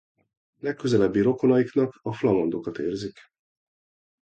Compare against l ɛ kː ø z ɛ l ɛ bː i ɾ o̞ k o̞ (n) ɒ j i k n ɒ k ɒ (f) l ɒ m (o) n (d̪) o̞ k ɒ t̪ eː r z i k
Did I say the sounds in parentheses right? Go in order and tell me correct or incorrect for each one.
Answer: correct, correct, correct, correct

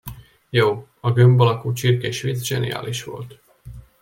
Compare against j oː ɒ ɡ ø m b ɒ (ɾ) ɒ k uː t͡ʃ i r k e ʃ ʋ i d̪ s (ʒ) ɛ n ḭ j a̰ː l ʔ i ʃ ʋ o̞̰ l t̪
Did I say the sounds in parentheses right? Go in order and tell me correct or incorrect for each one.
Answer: incorrect: l, correct

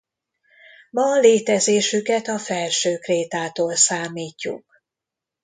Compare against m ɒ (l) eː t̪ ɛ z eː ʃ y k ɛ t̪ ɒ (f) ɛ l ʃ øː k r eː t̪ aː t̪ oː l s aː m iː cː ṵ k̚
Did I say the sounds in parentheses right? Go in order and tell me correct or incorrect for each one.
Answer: correct, correct

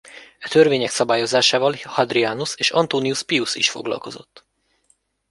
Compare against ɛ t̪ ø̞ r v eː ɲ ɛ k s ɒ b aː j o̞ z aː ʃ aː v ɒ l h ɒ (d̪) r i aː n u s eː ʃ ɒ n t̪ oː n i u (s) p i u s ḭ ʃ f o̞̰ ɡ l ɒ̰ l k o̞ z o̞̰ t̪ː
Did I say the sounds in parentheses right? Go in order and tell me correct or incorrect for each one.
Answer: correct, correct

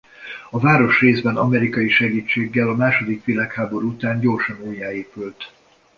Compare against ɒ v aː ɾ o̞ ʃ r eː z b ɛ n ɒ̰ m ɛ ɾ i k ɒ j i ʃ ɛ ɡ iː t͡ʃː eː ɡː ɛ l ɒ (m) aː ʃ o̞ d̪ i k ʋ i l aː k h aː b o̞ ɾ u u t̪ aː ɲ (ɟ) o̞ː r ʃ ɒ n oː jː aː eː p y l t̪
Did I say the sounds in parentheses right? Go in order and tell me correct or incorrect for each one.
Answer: correct, correct

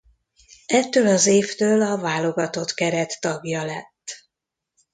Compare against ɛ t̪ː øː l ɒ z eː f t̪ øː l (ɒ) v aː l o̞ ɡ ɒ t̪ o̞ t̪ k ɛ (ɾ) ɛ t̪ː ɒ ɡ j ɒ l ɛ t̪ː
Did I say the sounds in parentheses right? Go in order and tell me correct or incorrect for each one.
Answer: correct, correct

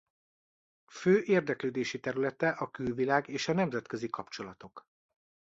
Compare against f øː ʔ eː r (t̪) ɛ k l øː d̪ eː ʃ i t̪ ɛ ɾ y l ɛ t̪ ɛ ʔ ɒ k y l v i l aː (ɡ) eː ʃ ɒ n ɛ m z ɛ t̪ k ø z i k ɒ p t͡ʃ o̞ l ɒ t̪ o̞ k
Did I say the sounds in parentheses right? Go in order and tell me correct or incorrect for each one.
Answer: incorrect: d̪, correct

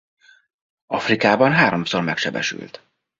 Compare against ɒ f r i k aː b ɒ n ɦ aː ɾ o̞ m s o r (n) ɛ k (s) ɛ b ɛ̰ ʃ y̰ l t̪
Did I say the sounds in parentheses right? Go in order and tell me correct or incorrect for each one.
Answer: incorrect: m, incorrect: ʃ

